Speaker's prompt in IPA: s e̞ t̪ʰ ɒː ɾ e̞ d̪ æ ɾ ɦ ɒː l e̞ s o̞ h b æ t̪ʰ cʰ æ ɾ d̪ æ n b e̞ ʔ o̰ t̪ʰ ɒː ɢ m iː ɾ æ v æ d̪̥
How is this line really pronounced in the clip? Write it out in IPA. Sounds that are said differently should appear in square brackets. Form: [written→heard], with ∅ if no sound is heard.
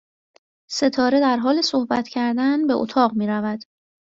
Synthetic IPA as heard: s e̞ t̪ʰ ɒː ɾ e̞ d̪ æ ɾ ɦ ɒː l e̞ s o̞ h b æ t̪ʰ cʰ æ ɾ d̪ æ n b e̞ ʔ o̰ t̪ʰ ɒː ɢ m iː ɾ æ v æ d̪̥